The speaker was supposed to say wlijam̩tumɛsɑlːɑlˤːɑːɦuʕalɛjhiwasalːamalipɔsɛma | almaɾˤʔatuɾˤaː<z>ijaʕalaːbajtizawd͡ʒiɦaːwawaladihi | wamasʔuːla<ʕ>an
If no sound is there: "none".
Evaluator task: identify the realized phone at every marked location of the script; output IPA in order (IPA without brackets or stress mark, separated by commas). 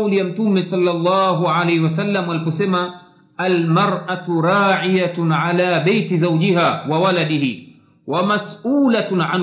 ʕ, ʕ